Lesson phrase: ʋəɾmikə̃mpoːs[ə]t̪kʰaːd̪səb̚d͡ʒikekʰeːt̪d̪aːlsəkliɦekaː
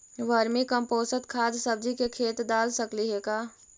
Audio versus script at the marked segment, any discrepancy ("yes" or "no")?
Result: no